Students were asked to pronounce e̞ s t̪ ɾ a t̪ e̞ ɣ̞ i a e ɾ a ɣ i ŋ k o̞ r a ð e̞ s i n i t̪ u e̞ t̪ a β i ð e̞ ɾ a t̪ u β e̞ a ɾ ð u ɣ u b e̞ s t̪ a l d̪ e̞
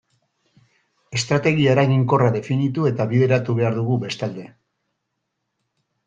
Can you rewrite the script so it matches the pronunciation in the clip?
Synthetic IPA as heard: e̞ s t̪ ɾ a t̪ e̞ ɣ̞ i a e ɾ a ɣ i ŋ k o̞ r a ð e̞ f i n i t̪ u e̞ t̪ a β i ð e̞ ɾ a t̪ u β e̞ a ɾ ð u ɣ u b e̞ s t̪ a l d̪ e̞